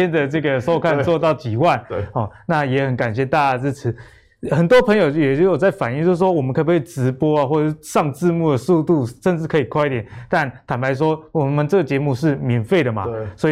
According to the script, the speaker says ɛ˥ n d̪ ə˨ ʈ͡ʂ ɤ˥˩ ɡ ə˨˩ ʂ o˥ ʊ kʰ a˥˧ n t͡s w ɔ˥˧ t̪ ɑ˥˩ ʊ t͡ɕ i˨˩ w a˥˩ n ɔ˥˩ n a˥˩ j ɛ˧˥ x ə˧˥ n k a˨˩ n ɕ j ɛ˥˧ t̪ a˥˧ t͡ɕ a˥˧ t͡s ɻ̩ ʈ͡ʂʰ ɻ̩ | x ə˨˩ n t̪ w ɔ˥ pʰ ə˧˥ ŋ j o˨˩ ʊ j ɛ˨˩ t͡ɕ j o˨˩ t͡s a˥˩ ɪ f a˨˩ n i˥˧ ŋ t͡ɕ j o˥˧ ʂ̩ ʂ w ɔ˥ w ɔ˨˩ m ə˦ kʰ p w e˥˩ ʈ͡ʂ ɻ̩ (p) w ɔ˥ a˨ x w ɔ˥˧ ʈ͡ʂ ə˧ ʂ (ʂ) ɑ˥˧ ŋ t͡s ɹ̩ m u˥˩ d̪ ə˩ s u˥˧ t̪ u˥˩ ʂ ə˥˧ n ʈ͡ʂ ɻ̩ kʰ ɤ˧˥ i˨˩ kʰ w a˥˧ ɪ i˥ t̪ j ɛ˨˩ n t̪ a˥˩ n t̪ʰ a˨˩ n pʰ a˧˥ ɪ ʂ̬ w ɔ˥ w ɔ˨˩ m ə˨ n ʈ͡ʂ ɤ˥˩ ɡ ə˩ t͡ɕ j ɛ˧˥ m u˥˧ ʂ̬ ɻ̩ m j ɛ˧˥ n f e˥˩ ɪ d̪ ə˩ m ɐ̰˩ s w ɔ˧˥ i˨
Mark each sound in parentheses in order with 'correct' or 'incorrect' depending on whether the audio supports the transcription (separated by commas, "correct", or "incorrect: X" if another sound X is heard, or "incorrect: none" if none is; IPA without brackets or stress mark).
correct, correct